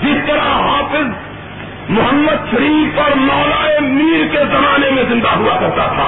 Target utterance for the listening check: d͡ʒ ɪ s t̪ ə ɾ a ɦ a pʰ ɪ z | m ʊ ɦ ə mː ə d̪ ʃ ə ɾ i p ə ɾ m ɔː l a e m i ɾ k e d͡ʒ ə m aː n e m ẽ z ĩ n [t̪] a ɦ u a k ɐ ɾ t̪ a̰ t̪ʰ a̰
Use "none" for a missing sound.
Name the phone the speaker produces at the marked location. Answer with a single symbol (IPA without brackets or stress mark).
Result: d̪